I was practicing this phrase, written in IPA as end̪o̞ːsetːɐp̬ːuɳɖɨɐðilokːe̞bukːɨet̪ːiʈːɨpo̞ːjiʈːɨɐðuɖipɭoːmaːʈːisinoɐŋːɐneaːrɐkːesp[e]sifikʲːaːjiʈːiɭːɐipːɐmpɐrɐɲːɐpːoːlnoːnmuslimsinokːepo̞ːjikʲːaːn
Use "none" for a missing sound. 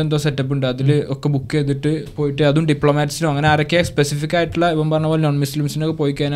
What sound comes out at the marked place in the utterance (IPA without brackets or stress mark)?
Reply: e